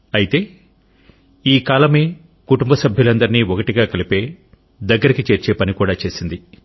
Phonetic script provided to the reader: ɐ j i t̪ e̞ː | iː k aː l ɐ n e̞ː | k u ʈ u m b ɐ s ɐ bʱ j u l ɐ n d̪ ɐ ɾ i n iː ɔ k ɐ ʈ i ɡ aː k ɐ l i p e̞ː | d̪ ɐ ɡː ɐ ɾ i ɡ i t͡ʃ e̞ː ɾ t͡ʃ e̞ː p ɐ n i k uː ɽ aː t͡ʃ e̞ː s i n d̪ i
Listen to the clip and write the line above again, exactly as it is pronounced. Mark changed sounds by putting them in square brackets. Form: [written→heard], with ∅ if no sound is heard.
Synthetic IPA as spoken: ɐ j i t̪ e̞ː | iː k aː l ɐ [n→m] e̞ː | k u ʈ u m b ɐ s ɐ bʱ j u l ɐ n d̪ ɐ ɾ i n iː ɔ k ɐ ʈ i ɡ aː k ɐ l i p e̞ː | d̪ ɐ ɡː ɐ ɾ i [ɡ→k] i t͡ʃ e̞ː ɾ t͡ʃ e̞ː p ɐ n i k uː ɽ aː t͡ʃ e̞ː s i n d̪ i